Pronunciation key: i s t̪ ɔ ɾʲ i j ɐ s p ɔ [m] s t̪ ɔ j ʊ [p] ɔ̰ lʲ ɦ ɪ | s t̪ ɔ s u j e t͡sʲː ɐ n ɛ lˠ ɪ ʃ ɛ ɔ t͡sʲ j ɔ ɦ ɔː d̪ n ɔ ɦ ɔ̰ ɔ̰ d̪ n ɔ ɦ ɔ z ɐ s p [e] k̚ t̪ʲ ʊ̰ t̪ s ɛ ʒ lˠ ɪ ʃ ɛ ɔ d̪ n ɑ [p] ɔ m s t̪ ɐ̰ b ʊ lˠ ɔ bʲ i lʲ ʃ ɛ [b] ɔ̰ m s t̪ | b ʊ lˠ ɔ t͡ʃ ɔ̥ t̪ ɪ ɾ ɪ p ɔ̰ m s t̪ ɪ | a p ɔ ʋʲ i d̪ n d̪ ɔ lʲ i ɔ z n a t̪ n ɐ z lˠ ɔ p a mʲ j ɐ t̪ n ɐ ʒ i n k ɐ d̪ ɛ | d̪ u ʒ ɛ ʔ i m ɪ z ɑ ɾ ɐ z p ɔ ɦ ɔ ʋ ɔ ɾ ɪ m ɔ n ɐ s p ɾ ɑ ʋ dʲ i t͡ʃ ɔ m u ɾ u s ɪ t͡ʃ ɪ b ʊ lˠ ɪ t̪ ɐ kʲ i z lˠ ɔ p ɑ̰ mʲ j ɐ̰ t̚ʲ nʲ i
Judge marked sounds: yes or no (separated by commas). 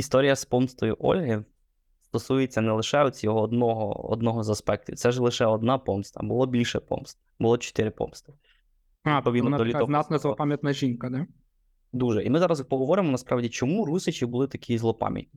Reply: yes, no, no, yes, no